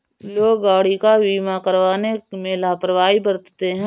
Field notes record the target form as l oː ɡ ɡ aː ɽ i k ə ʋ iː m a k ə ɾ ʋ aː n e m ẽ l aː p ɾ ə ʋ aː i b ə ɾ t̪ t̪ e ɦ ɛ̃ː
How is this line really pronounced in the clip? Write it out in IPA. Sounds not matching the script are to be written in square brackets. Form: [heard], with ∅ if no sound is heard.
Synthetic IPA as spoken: l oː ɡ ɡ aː ɽ i k [a] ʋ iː m a k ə ɾ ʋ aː n e m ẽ l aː p ɾ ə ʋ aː i b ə ɾ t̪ t̪ e ɦ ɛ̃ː